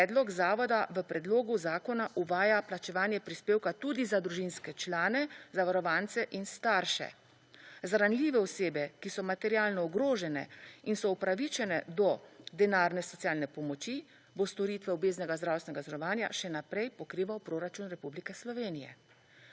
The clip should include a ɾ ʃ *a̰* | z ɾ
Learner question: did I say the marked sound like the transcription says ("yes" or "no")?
no